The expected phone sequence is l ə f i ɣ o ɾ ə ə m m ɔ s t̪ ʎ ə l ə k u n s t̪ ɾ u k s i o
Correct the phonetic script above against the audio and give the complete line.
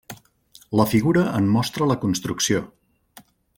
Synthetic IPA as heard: l ə f i ɣ u ɾ ə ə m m ɔ s t̪ ɾ ə l ə k u n s t̪ ɾ u k s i o